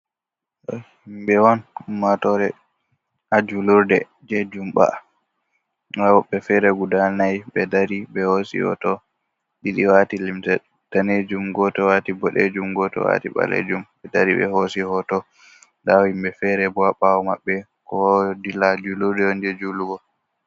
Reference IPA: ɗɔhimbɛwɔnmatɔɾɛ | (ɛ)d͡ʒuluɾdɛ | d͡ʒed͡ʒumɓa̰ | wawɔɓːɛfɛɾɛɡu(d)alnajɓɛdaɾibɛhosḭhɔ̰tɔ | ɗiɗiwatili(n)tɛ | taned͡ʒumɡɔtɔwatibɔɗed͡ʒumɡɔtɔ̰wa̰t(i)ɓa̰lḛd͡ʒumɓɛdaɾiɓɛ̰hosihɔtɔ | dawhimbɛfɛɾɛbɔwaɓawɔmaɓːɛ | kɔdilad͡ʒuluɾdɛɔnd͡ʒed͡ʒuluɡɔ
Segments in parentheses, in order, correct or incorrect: incorrect: a, correct, incorrect: m, correct

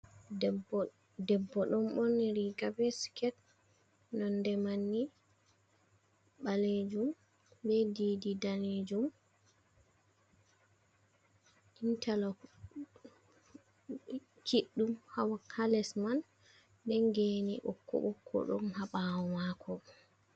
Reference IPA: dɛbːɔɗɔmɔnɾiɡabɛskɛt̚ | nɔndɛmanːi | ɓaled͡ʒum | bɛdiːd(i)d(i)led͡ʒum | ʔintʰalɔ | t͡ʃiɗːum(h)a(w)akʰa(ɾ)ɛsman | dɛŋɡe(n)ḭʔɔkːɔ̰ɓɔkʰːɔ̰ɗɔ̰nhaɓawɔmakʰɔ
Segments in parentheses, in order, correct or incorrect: correct, incorrect: a, correct, correct, incorrect: l, correct

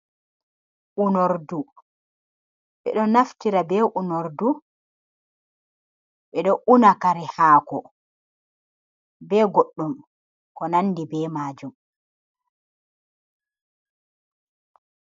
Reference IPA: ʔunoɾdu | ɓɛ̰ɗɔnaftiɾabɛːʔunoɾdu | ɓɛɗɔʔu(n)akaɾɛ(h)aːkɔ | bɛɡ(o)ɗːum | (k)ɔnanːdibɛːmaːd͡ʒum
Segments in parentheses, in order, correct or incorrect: correct, correct, correct, correct

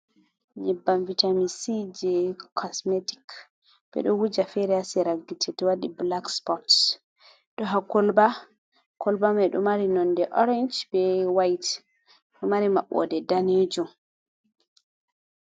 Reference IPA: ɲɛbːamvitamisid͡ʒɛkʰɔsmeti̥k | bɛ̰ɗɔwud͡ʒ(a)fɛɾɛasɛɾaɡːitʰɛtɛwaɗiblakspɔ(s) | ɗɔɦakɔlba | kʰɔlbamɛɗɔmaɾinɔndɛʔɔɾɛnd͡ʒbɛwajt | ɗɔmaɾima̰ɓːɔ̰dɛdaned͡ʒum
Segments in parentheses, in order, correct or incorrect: correct, incorrect: t

